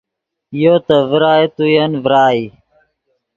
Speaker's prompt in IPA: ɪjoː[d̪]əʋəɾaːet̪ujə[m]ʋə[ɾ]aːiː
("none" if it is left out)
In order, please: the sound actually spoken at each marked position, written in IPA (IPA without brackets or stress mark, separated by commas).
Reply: t̪, n, ɾ